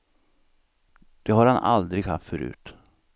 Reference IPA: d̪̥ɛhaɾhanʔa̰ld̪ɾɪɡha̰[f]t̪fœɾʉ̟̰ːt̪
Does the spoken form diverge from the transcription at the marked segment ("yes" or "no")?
no